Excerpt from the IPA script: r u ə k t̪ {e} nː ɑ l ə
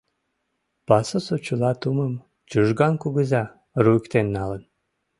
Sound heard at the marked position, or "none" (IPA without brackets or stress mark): e